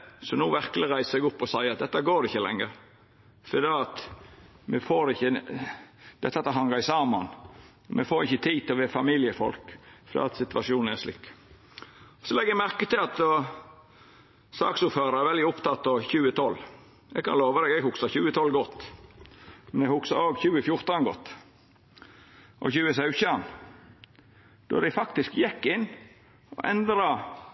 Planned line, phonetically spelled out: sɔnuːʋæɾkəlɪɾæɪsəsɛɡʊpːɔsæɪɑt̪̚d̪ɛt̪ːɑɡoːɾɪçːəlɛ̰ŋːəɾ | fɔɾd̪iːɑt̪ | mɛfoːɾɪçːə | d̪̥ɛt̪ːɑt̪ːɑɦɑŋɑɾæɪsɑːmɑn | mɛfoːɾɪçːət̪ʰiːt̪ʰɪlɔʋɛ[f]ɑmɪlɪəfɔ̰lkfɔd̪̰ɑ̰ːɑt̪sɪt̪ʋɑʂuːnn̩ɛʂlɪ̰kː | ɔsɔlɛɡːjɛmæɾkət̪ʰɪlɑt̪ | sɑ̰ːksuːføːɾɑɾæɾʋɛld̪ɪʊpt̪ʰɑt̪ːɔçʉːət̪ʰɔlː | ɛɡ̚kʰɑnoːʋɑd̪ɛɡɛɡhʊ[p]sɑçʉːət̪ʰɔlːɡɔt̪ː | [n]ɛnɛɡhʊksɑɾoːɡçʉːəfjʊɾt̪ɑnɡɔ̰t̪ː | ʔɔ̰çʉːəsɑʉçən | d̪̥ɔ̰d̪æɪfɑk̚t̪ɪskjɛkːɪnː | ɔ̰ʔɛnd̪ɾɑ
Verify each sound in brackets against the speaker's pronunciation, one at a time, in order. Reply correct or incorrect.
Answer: correct, incorrect: k, incorrect: m

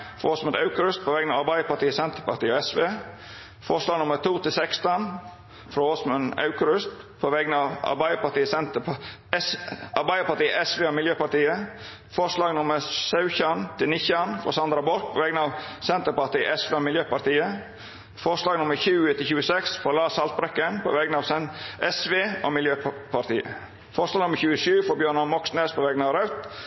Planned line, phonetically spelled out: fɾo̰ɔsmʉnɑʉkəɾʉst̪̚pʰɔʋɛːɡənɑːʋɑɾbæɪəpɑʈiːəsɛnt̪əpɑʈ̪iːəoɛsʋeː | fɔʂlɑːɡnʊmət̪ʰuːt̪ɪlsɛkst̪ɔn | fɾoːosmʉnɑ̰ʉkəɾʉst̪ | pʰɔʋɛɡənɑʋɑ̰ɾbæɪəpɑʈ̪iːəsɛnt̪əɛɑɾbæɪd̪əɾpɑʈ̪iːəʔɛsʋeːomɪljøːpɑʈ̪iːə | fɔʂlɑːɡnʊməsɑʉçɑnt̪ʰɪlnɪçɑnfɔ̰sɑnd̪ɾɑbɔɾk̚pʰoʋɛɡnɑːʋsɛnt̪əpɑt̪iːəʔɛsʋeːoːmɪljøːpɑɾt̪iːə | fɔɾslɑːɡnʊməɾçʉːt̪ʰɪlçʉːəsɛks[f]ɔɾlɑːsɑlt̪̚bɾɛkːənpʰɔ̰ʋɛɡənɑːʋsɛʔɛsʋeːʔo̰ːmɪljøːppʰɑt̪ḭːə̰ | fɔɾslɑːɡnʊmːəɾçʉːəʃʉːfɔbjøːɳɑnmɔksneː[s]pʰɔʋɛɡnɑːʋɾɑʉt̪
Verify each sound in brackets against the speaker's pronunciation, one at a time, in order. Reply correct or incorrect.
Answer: correct, correct

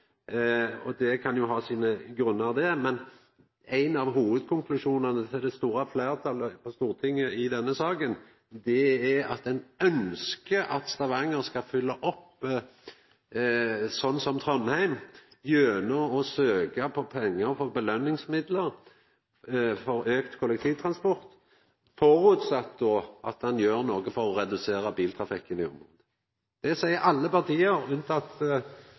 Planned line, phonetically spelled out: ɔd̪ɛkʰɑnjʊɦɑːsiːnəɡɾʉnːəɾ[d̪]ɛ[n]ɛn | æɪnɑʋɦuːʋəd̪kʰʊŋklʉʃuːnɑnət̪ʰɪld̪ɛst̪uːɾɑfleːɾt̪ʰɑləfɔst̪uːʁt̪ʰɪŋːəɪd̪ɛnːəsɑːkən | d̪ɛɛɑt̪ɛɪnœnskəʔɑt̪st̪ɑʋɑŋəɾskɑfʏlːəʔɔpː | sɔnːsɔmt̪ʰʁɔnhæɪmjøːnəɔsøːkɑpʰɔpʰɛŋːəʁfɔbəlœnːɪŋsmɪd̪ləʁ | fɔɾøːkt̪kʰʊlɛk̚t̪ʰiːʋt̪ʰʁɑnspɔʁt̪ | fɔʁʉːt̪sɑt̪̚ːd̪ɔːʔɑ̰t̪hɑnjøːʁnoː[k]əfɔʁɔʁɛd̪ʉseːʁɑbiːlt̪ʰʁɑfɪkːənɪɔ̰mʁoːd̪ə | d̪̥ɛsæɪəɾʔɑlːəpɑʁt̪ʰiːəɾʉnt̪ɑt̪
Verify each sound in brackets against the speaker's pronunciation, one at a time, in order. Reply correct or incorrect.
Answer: correct, incorrect: m, incorrect: ɡ

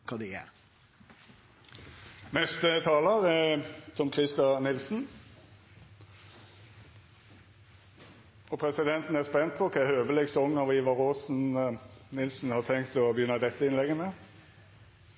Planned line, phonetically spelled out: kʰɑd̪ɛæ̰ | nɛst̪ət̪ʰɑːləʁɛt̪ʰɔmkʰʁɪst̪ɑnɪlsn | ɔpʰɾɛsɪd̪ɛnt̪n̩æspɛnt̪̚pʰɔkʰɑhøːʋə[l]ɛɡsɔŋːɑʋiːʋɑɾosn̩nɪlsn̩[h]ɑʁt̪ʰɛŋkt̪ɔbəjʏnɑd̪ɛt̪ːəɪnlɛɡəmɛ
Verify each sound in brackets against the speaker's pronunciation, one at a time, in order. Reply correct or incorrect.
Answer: correct, correct

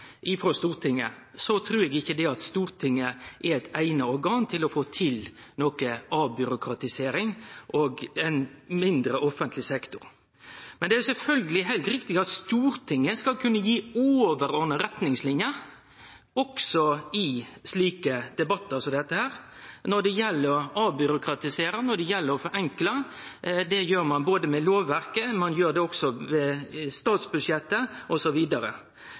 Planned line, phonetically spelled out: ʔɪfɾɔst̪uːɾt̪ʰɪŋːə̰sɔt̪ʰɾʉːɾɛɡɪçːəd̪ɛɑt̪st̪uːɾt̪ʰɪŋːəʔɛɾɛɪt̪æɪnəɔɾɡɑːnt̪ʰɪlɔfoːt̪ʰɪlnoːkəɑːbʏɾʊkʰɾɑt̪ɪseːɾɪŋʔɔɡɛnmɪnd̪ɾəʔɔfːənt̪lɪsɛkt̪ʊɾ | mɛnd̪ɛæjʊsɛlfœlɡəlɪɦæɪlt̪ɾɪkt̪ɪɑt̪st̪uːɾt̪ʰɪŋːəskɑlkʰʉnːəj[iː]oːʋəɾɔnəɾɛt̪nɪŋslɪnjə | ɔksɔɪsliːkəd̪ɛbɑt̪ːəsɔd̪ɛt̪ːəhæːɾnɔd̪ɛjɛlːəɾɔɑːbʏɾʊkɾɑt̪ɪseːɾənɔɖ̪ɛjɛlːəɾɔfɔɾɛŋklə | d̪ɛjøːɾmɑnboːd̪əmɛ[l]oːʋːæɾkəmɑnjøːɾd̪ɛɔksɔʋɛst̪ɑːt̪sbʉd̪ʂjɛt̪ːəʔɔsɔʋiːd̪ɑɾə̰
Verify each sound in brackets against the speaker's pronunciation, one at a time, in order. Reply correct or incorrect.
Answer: correct, correct

